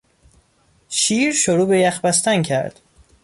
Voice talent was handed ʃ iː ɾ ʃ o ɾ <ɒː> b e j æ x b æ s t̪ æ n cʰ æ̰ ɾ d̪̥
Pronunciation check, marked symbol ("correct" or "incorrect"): incorrect